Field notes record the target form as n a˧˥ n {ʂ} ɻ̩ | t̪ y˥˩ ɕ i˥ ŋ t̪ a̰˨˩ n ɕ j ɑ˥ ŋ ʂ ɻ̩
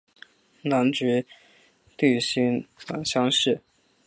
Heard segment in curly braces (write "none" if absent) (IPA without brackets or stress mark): ʈ͡ʂ